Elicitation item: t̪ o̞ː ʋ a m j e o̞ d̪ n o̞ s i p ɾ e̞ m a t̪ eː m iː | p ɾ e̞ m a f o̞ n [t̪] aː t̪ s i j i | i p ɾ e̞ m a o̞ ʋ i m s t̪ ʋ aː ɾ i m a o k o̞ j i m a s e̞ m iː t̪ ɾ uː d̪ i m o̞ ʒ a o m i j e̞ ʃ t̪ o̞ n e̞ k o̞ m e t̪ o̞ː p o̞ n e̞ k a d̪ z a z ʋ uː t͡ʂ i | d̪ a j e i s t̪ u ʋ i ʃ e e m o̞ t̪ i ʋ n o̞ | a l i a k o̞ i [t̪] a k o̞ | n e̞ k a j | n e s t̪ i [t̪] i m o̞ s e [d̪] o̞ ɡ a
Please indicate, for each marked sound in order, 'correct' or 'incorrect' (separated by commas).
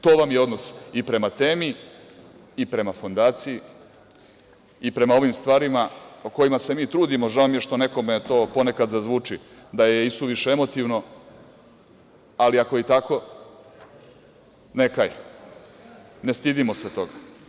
incorrect, correct, incorrect, incorrect